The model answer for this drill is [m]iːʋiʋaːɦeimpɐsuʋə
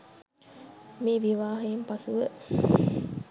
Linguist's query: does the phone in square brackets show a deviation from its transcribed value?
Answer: no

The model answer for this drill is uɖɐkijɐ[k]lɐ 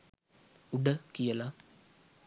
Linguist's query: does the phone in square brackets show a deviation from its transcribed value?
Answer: yes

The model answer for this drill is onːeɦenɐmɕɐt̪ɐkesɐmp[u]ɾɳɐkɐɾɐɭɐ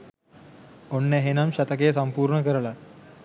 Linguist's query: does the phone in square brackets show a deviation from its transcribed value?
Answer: yes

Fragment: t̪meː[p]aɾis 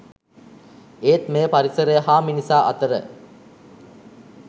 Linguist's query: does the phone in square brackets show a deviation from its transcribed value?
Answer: no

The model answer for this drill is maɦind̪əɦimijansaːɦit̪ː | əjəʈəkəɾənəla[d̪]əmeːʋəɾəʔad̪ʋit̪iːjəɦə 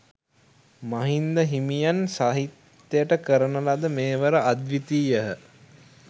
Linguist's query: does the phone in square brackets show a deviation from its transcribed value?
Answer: no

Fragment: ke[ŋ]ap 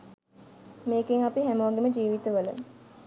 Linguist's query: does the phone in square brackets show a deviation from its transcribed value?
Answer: no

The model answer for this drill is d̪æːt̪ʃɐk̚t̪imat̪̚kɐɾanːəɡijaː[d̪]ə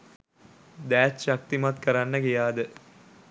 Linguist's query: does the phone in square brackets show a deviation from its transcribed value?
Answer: no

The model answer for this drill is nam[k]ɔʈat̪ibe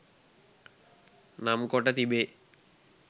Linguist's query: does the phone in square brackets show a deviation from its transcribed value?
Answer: no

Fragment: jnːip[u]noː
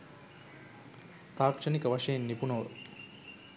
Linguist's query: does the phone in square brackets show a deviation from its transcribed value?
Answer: no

